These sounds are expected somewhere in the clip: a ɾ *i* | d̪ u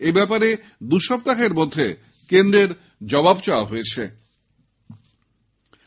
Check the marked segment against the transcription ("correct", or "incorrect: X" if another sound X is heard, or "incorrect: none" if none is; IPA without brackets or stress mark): incorrect: e